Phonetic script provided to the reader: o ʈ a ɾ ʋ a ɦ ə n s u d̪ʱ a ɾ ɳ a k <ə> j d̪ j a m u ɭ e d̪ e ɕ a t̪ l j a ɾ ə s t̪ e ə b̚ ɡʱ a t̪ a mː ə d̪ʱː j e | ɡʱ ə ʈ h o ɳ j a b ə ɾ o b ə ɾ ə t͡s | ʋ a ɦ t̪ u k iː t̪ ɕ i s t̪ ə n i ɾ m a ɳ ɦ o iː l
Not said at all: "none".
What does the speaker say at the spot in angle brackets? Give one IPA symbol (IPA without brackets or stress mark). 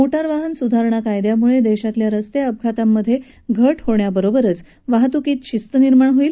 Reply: a